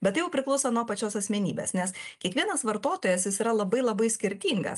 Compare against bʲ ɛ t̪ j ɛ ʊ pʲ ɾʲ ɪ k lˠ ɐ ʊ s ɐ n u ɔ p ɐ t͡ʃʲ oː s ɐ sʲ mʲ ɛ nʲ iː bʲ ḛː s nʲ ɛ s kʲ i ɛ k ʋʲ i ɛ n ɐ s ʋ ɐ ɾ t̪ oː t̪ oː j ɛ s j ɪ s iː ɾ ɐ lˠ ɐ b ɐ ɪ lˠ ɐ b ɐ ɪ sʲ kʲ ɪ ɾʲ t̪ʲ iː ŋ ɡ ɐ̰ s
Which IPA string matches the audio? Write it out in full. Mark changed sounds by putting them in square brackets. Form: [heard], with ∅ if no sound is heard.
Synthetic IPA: bʲ ɛ t̪ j ɛ ʊ pʲ ɾʲ ɪ k lˠ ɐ ʊ s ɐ n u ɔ p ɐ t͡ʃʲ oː s ɐ sʲ mʲ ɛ nʲ iː bʲ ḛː s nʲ ɛ s kʲ i ɛ k ʋʲ i ɛ n ɐ s ʋ ɐ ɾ t̪ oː t̪ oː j ɛ s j ɪ s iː ɾ ɐ lˠ ɐ b ɐ ɪ lˠ ɐ b ɐ ɪ sʲ kʲ ɪ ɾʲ t̪ʲ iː ŋ ɡ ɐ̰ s